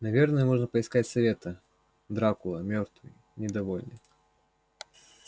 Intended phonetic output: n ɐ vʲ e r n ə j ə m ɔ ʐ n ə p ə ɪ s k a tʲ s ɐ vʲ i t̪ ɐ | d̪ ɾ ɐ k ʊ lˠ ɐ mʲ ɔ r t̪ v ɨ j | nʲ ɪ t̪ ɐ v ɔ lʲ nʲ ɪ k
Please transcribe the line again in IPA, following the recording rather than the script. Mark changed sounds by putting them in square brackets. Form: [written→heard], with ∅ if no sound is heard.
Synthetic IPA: n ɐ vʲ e r n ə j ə m ɔ ʐ n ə p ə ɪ s k a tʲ s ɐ vʲ [i→e] t̪ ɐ | d̪ ɾ [ɐ→a] k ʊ lˠ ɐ mʲ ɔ r t̪ v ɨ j | nʲ ɪ [t̪→d̪] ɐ v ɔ lʲ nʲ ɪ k